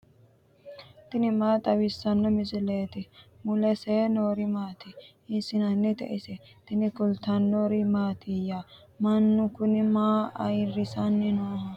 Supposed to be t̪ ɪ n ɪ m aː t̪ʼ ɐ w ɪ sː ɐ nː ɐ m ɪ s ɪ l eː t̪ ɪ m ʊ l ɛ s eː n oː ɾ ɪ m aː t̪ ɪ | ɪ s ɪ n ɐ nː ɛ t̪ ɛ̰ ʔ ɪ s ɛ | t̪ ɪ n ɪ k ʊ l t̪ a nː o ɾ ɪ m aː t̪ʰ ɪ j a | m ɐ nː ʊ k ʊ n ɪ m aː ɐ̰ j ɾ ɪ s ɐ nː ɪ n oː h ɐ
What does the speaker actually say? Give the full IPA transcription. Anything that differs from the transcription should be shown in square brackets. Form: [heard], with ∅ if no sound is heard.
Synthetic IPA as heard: t̪ ɪ n ɪ m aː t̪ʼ ɐ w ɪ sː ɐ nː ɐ m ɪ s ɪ l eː t̪ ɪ m ʊ l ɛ s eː n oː ɾ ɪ m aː t̪ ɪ | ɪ s ɪ n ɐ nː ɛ t̪ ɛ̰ ʔ ɪ s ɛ | t̪ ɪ n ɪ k ʊ l t̪ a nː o ɾ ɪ m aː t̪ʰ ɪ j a | m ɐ nː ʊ k ʊ n ɪ m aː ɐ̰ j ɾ ɪ s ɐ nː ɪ n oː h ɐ